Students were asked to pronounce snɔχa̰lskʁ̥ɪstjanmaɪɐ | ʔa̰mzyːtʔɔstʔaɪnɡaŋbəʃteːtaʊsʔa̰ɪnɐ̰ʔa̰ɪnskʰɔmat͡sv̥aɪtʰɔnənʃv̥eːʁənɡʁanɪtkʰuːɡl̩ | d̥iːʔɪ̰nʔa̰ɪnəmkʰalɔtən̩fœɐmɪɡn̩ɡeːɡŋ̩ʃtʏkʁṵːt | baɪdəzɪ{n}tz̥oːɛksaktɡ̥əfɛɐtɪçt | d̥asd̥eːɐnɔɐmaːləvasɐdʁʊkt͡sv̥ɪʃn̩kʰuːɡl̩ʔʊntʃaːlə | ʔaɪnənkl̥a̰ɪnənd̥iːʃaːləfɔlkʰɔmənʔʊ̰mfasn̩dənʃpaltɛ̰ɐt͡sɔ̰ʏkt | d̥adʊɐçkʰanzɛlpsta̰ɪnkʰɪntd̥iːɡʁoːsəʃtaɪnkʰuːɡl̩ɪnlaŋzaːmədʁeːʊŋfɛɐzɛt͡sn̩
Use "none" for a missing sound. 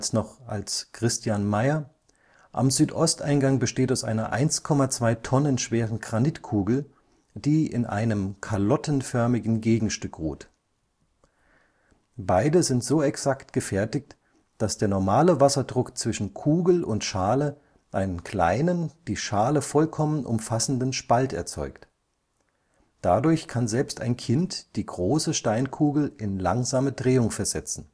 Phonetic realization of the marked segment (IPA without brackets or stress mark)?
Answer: n